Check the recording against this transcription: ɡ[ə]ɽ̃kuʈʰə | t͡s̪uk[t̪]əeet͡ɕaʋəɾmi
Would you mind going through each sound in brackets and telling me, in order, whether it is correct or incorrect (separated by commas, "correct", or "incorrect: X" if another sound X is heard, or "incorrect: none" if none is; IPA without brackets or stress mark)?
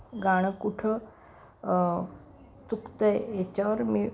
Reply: incorrect: a, correct